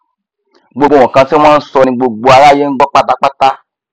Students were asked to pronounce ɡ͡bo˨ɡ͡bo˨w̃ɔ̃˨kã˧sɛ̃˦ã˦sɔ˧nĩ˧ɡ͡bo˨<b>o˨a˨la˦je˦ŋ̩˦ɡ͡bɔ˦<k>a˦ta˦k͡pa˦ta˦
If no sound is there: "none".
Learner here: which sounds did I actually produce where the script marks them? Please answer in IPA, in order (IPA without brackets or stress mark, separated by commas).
ɡ͡b, k͡p